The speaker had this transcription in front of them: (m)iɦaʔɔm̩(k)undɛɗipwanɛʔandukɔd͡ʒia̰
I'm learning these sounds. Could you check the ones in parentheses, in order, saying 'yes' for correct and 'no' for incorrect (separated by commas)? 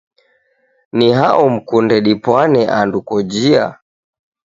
no, yes